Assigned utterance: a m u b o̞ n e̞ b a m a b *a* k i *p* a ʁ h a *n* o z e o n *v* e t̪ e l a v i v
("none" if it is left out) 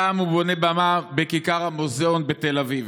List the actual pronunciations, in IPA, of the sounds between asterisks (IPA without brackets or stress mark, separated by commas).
e, k, m, b